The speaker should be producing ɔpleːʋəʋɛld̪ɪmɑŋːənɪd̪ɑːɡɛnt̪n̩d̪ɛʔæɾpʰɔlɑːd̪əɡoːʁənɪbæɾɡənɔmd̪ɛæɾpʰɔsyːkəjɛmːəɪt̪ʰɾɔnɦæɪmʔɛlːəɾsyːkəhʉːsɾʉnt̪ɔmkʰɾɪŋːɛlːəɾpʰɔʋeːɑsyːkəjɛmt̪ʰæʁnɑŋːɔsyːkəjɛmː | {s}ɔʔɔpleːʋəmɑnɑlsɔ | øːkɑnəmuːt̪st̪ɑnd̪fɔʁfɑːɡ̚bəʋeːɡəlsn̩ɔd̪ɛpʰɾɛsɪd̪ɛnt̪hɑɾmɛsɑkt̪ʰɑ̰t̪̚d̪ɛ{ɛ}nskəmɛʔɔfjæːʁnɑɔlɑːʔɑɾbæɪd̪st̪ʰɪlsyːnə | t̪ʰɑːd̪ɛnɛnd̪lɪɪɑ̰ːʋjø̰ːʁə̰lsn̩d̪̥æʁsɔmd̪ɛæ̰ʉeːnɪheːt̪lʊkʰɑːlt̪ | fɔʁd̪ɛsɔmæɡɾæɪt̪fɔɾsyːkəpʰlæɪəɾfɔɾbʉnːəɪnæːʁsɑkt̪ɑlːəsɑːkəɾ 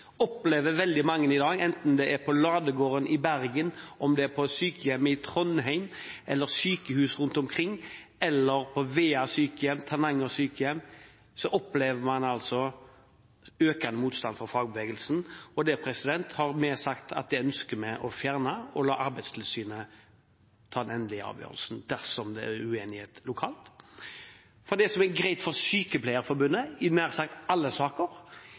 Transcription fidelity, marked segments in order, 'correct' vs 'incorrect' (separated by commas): correct, incorrect